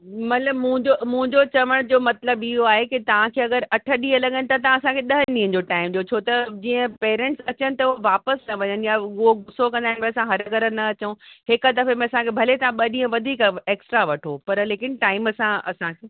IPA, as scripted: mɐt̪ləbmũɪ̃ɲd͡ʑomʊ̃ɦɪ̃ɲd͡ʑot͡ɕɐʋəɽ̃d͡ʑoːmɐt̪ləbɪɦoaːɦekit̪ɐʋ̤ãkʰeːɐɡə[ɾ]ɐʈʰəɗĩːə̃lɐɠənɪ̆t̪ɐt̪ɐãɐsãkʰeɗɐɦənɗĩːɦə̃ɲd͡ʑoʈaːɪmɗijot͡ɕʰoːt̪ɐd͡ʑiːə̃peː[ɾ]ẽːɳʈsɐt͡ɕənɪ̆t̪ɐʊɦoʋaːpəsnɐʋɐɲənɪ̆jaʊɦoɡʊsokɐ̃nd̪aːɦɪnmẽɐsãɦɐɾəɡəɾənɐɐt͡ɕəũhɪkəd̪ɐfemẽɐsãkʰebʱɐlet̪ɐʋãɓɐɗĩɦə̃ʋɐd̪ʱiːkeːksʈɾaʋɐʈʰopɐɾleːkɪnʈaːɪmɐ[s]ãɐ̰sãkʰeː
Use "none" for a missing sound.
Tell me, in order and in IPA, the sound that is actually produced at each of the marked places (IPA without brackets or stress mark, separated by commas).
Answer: ɾ, ɾ, s